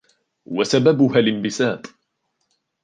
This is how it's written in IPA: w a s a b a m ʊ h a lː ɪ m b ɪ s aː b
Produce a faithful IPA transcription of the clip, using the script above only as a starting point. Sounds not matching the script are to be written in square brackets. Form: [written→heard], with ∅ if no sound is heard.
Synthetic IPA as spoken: w a s a b a [m→b] ʊ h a [lː→l] ɪ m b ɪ s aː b